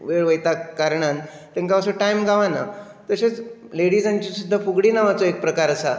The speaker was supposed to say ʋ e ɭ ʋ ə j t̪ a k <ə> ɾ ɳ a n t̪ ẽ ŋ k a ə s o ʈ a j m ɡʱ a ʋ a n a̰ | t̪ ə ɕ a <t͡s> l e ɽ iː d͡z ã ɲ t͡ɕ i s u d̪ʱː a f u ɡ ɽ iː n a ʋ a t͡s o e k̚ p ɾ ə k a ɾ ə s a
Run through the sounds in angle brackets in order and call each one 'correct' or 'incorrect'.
incorrect, correct

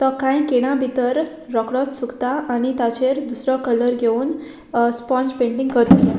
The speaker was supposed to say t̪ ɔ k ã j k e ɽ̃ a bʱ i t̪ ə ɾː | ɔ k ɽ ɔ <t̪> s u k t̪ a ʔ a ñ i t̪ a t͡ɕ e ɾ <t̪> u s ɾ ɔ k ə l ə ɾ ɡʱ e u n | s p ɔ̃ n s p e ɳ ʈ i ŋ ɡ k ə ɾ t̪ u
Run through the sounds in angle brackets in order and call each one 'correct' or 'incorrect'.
correct, incorrect

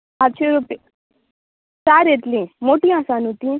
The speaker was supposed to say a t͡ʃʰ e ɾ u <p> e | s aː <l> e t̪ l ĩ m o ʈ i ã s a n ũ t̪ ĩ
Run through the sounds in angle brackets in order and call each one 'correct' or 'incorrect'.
correct, incorrect

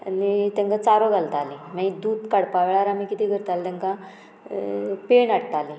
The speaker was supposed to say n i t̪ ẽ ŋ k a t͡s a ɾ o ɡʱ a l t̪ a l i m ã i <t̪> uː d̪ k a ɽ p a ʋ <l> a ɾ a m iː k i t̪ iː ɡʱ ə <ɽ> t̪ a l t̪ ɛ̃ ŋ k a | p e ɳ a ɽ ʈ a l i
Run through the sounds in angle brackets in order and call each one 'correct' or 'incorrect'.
incorrect, incorrect, incorrect

